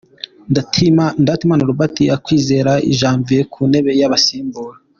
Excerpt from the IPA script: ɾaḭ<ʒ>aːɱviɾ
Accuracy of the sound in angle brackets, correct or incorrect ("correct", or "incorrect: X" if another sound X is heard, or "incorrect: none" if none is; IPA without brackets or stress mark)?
correct